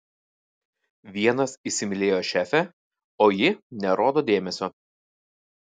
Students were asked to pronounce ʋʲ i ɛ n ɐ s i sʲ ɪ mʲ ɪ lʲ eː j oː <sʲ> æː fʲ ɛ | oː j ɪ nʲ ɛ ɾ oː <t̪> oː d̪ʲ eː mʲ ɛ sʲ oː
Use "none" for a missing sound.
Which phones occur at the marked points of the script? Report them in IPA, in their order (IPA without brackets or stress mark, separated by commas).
ʃʲ, d̪